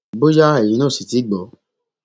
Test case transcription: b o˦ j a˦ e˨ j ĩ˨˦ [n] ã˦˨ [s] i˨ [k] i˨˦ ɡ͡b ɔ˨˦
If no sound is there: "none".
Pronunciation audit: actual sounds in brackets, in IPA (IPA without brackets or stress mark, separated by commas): n, s, t